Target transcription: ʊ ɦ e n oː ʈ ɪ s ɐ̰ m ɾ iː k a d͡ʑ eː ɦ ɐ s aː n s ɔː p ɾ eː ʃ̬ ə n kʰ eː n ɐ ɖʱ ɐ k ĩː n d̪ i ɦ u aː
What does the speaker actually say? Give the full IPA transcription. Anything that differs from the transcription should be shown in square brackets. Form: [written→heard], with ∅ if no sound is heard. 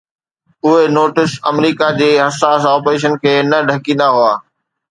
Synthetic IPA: ʊ ɦ e n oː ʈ ɪ s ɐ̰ m ɾ iː k a d͡ʑ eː ɦ ɐ s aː [n→∅] s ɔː p ɾ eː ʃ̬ ə n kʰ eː n ɐ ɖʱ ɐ k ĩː n d̪ [i→a] ɦ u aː